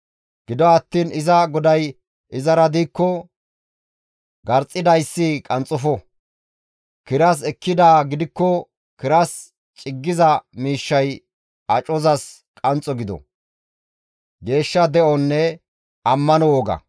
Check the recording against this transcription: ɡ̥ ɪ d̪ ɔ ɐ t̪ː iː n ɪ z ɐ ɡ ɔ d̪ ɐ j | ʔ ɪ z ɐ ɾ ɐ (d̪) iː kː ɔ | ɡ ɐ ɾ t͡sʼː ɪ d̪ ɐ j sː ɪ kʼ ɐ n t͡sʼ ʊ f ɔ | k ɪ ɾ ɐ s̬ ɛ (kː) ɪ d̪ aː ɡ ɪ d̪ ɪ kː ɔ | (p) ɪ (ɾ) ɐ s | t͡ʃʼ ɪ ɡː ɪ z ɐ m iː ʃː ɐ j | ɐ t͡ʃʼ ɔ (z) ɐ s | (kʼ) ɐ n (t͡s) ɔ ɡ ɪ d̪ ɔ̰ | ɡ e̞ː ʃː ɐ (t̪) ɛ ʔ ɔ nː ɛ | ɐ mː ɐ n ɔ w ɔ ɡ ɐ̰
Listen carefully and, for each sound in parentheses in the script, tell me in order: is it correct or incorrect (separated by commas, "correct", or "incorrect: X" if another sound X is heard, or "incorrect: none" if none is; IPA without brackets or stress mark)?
correct, correct, incorrect: k, correct, correct, correct, incorrect: t͡sʼ, incorrect: d̪